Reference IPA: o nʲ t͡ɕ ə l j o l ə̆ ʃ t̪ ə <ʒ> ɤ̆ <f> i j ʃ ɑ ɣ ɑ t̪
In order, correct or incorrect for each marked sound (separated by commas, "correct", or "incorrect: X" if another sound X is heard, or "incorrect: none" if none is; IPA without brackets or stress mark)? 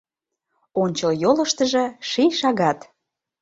correct, incorrect: ʃ